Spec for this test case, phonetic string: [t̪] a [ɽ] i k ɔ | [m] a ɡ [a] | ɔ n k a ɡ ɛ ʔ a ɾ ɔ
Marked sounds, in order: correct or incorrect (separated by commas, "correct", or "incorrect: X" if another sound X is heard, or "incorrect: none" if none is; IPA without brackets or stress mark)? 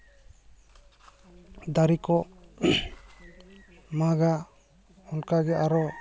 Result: incorrect: d̪, incorrect: ɾ, correct, correct